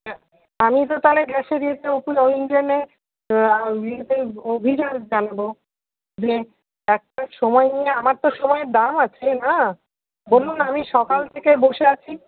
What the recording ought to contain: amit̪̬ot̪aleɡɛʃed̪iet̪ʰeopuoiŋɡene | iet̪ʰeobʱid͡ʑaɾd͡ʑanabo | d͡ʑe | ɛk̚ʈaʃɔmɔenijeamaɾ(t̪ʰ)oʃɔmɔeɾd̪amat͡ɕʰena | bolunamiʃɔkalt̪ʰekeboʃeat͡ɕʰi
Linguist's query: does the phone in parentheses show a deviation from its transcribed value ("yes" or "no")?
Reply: yes